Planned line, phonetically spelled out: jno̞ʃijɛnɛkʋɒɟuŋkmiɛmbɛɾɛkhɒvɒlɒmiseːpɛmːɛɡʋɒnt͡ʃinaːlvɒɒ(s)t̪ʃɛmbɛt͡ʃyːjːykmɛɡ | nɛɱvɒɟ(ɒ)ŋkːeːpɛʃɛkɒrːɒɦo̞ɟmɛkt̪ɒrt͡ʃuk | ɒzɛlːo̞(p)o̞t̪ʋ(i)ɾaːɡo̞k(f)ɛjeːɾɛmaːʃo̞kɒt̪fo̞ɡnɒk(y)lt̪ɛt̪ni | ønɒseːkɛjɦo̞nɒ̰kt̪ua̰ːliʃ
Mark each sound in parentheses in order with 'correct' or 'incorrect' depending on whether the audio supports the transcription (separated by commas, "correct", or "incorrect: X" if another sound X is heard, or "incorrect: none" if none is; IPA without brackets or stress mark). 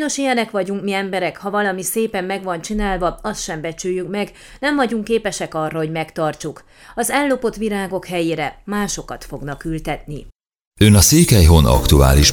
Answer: correct, incorrect: u, correct, correct, incorrect: h, correct